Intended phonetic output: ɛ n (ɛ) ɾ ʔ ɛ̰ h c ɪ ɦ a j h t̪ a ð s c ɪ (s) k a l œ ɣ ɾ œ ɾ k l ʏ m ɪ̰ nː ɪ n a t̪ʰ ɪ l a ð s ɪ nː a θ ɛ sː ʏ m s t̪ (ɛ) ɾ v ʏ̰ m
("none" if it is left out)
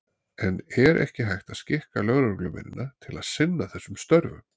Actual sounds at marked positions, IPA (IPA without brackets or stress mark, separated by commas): ɛ, h, œ